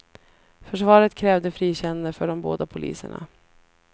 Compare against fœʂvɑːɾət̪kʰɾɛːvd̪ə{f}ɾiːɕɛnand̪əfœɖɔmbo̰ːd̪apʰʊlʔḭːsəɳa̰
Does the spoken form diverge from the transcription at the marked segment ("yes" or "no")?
no